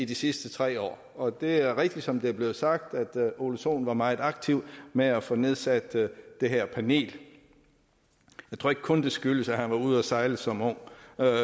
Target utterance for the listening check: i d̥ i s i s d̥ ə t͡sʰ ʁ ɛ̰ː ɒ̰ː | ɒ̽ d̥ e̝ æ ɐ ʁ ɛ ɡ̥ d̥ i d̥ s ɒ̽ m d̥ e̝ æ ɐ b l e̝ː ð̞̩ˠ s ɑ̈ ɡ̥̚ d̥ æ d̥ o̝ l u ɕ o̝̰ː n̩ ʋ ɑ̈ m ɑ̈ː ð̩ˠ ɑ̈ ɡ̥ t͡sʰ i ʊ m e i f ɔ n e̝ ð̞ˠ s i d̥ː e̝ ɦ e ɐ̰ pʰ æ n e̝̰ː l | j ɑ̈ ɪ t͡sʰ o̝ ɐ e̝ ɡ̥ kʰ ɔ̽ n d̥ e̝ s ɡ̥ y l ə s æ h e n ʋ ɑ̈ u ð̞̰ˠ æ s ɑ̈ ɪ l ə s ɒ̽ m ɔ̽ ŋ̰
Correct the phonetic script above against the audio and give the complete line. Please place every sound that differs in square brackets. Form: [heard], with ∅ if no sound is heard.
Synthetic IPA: i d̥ i s i s d̥ ə t͡sʰ ʁ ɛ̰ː ɒ̰ː | ɒ̽ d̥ e̝ æ ɐ ʁ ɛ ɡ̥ d̥ i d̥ s ɒ̽ m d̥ e̝ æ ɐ b l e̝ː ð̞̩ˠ s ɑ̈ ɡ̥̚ d̥ æ d̥ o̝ l u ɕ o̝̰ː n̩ ʋ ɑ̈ m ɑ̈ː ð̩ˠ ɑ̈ ɡ̥ t͡sʰ i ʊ m e [æ] f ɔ n e̝ ð̞ˠ s [æ] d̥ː e̝ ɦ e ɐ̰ pʰ æ n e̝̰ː l | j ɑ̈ ɪ t͡sʰ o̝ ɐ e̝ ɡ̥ kʰ ɔ̽ n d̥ e̝ s ɡ̥ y l ə s æ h [æ] n ʋ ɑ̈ u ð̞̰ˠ æ s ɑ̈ ɪ l ə s ɒ̽ m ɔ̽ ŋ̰